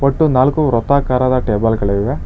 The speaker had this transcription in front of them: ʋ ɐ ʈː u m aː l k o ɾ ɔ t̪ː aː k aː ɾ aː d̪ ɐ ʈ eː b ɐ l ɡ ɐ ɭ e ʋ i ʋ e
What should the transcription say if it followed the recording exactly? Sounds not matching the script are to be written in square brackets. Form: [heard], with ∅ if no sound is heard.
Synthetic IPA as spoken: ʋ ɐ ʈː u [n] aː l k [u] ɾ ɔ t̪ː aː k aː ɾ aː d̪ ɐ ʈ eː b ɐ l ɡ ɐ ɭ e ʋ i ʋ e